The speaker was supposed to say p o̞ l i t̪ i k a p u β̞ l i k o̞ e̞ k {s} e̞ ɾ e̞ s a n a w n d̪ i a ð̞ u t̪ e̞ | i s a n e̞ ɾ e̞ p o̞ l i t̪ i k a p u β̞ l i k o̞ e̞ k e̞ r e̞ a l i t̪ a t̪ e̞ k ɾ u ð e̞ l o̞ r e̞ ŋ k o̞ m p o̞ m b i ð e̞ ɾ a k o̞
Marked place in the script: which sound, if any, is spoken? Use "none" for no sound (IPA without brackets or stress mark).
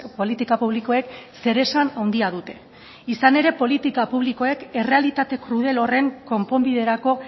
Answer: s